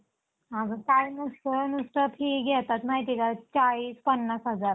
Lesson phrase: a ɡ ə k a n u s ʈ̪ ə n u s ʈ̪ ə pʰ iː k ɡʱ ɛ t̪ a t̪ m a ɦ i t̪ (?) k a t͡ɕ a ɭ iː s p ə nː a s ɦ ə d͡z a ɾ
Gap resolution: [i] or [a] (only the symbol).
i